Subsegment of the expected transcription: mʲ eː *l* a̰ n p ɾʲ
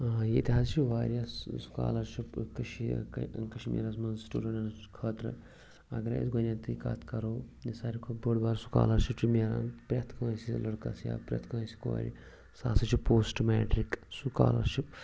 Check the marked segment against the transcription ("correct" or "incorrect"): incorrect